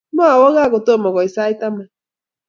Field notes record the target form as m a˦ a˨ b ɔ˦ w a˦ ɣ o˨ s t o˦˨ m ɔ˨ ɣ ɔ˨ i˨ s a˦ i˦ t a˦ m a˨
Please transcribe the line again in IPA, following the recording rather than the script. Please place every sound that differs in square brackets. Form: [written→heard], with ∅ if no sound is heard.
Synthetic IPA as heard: m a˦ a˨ [b→w] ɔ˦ [w→ɣ] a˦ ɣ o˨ [s→∅] t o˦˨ m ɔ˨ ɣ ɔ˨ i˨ s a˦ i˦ t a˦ m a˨